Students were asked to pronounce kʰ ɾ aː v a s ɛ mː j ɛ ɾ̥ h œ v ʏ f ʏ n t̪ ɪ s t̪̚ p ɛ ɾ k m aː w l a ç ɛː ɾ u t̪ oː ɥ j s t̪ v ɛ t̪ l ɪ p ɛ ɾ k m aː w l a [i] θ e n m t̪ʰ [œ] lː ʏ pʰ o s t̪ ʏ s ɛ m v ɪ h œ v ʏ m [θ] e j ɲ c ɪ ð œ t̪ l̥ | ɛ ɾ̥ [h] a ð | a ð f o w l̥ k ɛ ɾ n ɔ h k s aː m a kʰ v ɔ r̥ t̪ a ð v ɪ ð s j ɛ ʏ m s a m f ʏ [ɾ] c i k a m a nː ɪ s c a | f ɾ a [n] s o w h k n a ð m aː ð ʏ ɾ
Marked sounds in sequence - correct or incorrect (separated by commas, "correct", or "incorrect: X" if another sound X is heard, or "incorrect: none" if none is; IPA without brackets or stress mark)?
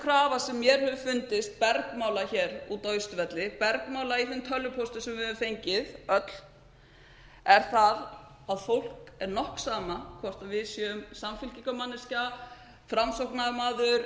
correct, correct, incorrect: f, incorrect: θ, incorrect: l, incorrect: m